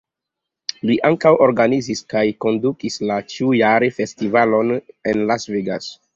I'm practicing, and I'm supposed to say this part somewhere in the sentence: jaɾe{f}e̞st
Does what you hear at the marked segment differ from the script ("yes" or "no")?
no